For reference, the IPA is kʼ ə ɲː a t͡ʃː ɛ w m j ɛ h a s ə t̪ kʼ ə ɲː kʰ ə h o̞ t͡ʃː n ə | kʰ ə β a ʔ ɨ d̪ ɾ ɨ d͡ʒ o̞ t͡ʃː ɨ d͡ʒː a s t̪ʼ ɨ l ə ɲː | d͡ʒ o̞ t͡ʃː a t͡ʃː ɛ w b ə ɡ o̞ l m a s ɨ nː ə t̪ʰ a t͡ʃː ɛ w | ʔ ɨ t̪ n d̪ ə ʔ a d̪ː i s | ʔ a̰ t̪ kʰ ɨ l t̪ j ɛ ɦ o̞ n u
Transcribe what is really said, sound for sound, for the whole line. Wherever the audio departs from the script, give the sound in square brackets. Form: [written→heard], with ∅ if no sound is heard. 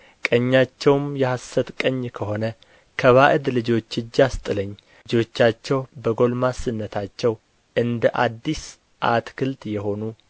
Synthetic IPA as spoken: kʼ ə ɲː a t͡ʃː ɛ w m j ɛ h a s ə t̪ kʼ ə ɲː kʰ ə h o̞ [t͡ʃː→∅] n ə | kʰ ə β a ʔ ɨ d̪ [ɾ→l] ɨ d͡ʒ o̞ t͡ʃː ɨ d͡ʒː a s t̪ʼ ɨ l ə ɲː | d͡ʒ o̞ t͡ʃː a t͡ʃː ɛ w b ə ɡ o̞ l m a s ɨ nː ə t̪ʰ a t͡ʃː ɛ w | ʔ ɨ [t̪→∅] n d̪ ə ʔ a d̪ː i s | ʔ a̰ t̪ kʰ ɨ l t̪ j ɛ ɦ o̞ n u